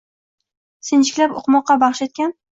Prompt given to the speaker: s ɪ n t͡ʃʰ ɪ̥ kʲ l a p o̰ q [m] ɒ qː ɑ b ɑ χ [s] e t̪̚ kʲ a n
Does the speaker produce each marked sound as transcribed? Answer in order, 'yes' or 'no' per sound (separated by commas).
yes, no